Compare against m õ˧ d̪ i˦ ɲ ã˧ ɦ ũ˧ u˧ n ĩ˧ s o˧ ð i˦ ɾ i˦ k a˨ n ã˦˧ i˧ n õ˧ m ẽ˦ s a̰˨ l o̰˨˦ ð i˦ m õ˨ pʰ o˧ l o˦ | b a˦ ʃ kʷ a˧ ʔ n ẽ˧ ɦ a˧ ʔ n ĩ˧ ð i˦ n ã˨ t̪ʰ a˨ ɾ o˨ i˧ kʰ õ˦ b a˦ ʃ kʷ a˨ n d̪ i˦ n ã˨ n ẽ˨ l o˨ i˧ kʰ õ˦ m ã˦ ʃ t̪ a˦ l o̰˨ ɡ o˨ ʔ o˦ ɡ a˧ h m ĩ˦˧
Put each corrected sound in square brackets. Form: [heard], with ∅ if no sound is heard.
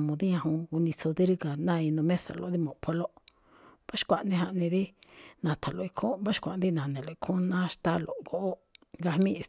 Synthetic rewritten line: m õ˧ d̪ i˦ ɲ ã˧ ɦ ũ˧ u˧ n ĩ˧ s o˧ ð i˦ ɾ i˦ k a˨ n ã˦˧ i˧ n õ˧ m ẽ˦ s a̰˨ l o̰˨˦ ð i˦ m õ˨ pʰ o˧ l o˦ | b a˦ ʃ kʷ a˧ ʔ n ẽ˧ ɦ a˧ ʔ n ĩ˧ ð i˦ n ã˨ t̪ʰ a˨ [l] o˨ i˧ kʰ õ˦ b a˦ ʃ kʷ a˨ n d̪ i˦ n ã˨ n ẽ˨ l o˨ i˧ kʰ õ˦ [n] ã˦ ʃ t̪ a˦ l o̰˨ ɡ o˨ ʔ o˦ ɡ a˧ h m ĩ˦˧

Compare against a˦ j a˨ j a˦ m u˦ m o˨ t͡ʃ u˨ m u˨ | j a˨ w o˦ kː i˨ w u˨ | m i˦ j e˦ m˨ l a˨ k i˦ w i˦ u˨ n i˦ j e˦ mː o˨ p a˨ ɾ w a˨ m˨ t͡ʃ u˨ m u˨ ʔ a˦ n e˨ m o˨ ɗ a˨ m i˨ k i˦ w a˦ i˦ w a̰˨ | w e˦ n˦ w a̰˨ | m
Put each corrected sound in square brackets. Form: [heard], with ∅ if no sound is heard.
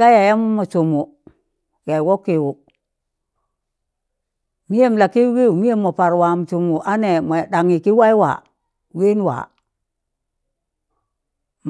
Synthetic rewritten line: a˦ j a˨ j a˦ m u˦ m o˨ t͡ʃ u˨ m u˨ | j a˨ w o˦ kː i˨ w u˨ | m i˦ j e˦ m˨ l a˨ k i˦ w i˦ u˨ [m] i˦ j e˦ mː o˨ p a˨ ɾ w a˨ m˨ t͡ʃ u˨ m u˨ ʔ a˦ n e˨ m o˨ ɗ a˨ [ŋ] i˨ k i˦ w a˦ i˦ w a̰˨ | w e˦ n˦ w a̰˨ | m

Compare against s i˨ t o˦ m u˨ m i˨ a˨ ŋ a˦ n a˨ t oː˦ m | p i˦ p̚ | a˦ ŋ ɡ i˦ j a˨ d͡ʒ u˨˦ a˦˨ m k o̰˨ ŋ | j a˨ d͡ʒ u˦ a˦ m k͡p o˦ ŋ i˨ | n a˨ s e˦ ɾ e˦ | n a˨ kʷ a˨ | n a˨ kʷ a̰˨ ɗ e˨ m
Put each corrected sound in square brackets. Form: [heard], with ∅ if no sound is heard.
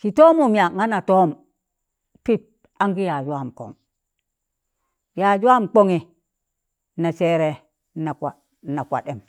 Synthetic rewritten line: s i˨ t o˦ m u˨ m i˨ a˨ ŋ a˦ n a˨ t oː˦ m | p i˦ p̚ | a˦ ŋ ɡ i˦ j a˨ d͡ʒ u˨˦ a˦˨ m k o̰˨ ŋ | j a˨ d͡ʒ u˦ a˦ m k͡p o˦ ŋ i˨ | n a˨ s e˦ ɾ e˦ | n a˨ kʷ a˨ | n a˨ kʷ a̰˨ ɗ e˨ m

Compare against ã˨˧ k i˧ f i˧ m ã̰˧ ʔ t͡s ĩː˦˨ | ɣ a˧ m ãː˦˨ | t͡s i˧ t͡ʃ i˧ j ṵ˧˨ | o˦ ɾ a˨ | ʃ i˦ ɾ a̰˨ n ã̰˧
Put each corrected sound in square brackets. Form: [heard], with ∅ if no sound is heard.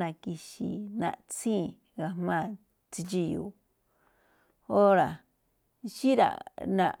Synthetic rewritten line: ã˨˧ k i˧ [ʃ] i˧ [n] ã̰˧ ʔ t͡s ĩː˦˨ | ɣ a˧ m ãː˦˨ | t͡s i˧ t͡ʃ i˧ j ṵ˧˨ | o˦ ɾ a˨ | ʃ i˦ ɾ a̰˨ n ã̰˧

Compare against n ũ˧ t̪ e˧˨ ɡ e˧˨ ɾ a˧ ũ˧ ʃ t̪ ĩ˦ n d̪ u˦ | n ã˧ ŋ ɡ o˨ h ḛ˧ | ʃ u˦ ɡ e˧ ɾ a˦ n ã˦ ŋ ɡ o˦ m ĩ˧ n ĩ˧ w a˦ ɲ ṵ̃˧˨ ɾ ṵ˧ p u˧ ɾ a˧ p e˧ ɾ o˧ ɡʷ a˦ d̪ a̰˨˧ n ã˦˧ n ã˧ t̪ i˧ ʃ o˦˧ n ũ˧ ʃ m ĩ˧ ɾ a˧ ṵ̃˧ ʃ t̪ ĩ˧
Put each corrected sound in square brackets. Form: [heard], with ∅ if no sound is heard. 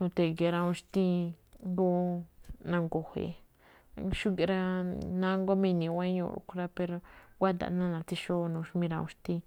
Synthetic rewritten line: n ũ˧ t̪ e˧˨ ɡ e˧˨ ɾ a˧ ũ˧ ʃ t̪ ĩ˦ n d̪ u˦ | n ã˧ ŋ ɡ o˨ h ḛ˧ | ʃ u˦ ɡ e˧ ɾ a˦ n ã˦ ŋ ɡ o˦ m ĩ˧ n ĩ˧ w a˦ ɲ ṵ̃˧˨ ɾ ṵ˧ [k] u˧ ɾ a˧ p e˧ ɾ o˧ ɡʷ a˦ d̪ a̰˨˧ n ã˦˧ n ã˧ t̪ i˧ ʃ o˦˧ n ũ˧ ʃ m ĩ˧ ɾ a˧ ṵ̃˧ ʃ t̪ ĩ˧

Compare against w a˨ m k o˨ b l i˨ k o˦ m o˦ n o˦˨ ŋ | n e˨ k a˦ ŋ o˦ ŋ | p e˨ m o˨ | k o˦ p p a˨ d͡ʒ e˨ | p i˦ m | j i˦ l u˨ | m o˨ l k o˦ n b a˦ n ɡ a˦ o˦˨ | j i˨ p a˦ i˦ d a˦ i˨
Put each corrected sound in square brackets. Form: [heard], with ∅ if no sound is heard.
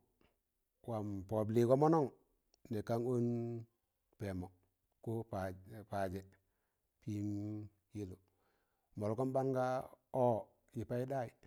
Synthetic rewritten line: w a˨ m [p] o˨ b l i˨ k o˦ m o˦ n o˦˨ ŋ | n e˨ k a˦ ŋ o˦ [n] | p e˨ m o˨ | k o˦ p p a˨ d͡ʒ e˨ | p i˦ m | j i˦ l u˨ | m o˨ l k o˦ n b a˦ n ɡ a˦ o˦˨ | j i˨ p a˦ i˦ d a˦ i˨

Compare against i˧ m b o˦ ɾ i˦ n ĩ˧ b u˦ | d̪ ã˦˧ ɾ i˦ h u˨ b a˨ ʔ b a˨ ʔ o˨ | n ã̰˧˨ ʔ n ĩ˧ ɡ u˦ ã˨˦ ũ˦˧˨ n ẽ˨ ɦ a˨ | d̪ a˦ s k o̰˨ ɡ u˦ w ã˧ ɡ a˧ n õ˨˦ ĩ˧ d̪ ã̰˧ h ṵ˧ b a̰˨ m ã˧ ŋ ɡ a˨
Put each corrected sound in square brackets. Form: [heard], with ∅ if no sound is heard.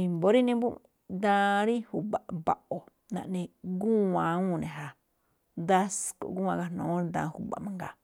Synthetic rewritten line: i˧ m b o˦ ɾ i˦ n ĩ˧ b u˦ | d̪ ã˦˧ ɾ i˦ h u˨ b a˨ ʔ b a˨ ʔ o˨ | n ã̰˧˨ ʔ n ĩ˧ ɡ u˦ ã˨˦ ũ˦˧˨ n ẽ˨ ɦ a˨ | d̪ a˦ s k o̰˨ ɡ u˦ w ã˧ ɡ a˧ n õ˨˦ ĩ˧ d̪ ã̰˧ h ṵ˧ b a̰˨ m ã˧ ŋ ɡ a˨

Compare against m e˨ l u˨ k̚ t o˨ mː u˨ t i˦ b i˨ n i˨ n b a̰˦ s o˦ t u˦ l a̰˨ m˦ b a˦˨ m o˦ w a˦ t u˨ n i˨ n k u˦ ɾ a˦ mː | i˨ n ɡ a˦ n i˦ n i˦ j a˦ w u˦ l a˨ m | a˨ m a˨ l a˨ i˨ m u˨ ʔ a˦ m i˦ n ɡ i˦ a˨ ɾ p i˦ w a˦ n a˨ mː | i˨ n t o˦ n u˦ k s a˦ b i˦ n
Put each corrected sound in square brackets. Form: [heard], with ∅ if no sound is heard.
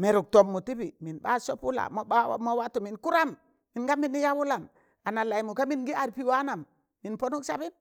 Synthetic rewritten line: m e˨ [ɾ] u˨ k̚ t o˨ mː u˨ t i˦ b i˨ [m] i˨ n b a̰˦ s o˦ [p] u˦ l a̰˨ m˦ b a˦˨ m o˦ w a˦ t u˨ [m] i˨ n k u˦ ɾ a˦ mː | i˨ n ɡ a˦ [m] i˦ n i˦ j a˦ w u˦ l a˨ m | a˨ [n] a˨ l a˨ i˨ m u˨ [k] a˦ m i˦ n ɡ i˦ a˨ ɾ p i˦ w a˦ n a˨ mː | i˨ n [p] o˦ n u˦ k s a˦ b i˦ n

